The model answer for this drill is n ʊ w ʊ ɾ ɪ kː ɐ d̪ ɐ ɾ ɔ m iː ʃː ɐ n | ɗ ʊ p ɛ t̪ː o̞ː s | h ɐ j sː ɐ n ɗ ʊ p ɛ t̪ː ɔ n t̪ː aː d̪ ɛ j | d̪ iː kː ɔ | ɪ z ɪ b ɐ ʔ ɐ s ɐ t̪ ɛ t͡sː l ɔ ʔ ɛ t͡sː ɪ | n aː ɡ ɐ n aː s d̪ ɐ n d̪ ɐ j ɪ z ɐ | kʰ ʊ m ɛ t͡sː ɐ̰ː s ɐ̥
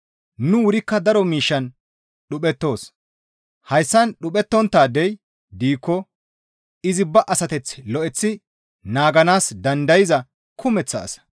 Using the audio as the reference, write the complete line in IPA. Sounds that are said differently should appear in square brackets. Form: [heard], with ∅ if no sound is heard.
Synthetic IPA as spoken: n ʊ w ʊ ɾ ɪ kː ɐ d̪ ɐ ɾ ɔ m iː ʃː ɐ n | ɗ ʊ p ɛ t̪ː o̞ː s | h ɐ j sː ɐ n ɗ ʊ p ɛ t̪ː ɔ n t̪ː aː d̪ ɛ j | d̪ iː kː ɔ | ɪ z ɪ b ɐ ʔ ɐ s ɐ t̪ ɛ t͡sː l ɔ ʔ ɛ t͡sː ɪ | n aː ɡ ɐ n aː s d̪ ɐ n d̪ ɐ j ɪ z ɐ | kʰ ʊ m ɛ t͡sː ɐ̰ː s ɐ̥